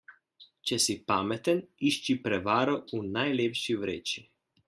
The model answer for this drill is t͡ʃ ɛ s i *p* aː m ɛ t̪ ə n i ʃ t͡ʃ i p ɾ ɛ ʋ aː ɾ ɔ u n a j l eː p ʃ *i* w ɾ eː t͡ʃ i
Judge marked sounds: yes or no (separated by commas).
yes, yes